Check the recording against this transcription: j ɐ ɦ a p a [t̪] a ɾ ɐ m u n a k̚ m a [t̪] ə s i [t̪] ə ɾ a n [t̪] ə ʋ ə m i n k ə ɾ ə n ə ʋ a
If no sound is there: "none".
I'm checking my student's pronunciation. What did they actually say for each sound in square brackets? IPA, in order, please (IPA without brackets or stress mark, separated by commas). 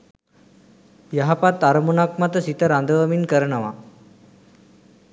t̪, t̪, t̪, d̪